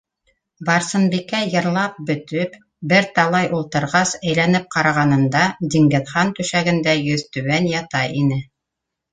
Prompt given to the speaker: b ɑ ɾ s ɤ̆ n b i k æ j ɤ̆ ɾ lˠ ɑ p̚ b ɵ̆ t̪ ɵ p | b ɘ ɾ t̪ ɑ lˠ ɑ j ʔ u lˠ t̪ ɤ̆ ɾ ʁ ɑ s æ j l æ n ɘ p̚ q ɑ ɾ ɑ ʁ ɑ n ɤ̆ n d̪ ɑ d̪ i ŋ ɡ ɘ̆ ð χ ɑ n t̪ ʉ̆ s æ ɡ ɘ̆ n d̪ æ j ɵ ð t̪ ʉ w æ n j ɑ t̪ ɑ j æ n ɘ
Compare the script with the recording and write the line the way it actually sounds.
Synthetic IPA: b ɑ ɾ s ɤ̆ n b i k æ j ɤ̆ ɾ lˠ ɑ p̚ b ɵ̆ t̪ ɵ p | b ɘ ɾ t̪ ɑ lˠ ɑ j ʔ u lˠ t̪ ɤ̆ ɾ ʁ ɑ s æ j l æ n ɘ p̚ q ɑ ɾ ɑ ʁ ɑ n ɤ̆ n d̪ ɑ d̪ i ŋ ɡ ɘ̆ ð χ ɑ n t̪ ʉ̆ ʃ æ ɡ ɘ̆ n d̪ æ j ɵ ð t̪ ʉ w æ n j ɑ t̪ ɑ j i n ɘ